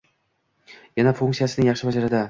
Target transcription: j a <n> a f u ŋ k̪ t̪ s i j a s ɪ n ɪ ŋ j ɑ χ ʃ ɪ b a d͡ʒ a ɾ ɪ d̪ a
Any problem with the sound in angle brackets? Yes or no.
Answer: no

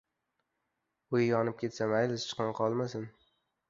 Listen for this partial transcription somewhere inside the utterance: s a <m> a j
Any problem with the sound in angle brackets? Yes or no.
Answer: no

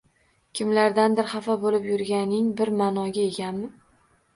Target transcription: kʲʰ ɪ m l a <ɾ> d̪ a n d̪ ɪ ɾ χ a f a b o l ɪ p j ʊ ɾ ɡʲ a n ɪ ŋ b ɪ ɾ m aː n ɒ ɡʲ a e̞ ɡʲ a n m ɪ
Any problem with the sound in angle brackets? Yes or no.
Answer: no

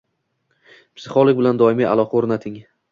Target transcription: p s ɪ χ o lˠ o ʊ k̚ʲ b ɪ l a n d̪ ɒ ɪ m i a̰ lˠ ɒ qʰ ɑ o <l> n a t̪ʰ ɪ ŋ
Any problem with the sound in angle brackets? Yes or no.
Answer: yes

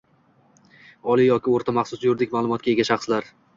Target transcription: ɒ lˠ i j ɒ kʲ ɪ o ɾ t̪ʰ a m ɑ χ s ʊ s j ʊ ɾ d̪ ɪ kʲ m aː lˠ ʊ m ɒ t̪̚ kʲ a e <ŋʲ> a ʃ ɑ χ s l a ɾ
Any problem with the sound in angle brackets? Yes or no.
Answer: yes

